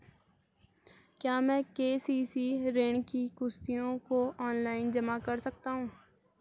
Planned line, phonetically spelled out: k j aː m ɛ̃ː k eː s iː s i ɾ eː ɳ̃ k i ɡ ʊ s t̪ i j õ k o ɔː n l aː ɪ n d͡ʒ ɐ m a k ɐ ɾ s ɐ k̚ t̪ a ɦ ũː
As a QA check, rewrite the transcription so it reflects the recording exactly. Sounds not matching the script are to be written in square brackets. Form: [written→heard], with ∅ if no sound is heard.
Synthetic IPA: k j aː m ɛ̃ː k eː s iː s i ɾ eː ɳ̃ k i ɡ ʊ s t̪ i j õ k o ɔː n l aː ɪ n d͡ʒ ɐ m a k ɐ ɾ s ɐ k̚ t̪ a ɦ ũː

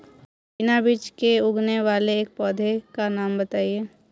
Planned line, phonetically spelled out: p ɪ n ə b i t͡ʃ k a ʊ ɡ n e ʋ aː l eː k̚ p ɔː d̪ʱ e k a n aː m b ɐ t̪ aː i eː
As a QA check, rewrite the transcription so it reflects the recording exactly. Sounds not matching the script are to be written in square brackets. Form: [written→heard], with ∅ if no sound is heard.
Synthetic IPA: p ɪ n [ə→a] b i t͡ʃ k [a→e] ʊ ɡ n e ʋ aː l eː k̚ p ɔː d̪ʱ e k a n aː m b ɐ t̪ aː i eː

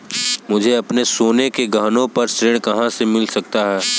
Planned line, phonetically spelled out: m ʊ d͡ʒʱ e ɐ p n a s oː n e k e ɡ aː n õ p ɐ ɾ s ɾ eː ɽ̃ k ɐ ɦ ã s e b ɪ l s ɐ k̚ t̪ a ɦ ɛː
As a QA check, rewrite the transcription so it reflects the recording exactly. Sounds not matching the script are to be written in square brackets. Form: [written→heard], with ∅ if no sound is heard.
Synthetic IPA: m ʊ d͡ʒʱ e ɐ p n [a→e] s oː n e k e ɡ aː n õ p ɐ ɾ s ɾ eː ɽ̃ k ɐ ɦ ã s e [b→m] ɪ l s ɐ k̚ t̪ a ɦ ɛː

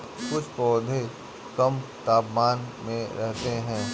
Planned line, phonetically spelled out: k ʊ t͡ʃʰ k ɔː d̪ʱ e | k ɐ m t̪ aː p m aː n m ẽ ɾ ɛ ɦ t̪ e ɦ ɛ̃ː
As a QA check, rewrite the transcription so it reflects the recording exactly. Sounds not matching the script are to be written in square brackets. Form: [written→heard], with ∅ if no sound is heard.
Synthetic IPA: k ʊ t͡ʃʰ [k→p] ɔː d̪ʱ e | k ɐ m t̪ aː p m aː n m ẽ ɾ ɛ ɦ t̪ e ɦ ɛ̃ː

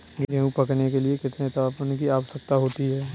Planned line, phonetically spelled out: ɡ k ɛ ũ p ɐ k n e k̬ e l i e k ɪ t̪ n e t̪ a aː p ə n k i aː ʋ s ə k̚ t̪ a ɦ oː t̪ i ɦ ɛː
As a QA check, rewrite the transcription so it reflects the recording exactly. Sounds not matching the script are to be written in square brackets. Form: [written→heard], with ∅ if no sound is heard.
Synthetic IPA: ɡ [k→ɡ] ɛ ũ p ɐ k n e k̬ e l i e k ɪ t̪ n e t̪ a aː p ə n k i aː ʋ s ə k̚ t̪ a ɦ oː t̪ i ɦ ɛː

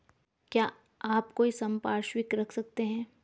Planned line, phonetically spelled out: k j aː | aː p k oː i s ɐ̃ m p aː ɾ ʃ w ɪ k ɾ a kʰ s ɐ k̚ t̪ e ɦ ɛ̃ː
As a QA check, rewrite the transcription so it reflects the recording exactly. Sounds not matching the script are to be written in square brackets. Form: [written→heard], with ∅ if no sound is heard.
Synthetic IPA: k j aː | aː p k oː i s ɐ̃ m p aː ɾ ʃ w ɪ k ɾ [a→ɐ] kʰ s ɐ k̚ t̪ e ɦ ɛ̃ː

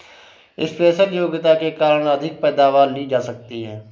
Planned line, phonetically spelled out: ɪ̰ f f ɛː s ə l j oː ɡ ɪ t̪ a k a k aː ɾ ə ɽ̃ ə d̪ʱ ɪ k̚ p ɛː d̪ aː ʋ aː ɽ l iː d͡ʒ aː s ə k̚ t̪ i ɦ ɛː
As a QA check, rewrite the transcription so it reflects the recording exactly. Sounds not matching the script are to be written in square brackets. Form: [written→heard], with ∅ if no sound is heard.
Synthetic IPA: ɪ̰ [f→s] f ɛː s ə l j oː ɡ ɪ t̪ a k [a→e] k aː ɾ ə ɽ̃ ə d̪ʱ ɪ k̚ p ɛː d̪ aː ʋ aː [ɽ→ɾ] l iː d͡ʒ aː s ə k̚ t̪ i ɦ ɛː

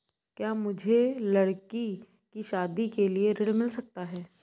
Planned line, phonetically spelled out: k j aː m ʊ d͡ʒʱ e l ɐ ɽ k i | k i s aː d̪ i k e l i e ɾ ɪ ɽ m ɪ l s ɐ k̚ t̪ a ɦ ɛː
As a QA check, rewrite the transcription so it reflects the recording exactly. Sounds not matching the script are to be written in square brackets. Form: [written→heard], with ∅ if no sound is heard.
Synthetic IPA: k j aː m ʊ d͡ʒʱ e l ɐ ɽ k i | k i [s→ʃ] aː d̪ i k e l i e ɾ ɪ ɽ m ɪ l s ɐ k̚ t̪ a ɦ ɛː

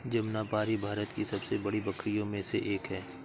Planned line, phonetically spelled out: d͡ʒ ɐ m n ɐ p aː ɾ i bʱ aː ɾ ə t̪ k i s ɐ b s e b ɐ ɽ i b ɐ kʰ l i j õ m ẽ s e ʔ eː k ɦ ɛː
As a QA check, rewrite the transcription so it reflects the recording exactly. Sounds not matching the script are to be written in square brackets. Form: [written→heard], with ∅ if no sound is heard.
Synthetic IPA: d͡ʒ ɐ m n [ɐ→a] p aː ɾ i bʱ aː ɾ ə t̪ k i s ɐ b s e b ɐ ɽ i b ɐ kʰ [l→ɾ] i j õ m ẽ s e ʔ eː k ɦ ɛː

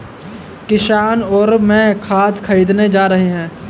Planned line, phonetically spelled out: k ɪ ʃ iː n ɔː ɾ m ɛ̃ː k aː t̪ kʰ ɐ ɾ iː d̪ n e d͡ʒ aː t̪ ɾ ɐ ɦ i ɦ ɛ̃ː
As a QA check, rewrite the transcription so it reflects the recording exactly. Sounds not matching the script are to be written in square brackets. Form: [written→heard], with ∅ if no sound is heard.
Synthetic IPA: k ɪ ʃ [iː→aː] n ɔː ɾ m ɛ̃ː [k→kʰ] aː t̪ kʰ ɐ ɾ iː d̪ n e d͡ʒ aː [t̪→∅] ɾ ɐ ɦ [i→e] ɦ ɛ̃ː

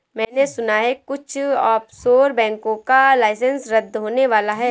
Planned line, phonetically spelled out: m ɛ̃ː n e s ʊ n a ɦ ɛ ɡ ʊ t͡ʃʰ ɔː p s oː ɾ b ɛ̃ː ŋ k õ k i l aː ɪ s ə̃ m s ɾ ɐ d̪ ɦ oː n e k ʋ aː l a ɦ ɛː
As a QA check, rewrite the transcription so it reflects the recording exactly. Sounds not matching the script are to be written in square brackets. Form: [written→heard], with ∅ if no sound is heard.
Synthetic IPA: m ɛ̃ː n e s ʊ n a ɦ ɛ [ɡ→k] ʊ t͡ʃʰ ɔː p s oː ɾ b ɛ̃ː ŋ k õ k [i→a] l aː ɪ s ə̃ [m→n] s ɾ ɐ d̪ ɦ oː n e [k→∅] ʋ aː l a ɦ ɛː

